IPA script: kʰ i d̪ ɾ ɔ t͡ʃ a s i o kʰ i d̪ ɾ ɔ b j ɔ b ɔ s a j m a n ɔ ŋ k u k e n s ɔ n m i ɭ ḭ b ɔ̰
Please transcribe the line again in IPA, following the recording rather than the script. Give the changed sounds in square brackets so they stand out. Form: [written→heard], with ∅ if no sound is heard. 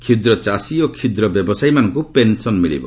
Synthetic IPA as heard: kʰ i d̪ ɾ ɔ t͡ʃ a s i o kʰ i d̪ ɾ ɔ b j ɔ b ɔ s a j m a n ɔ ŋ k u [k→p] e n s ɔ n m i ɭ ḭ b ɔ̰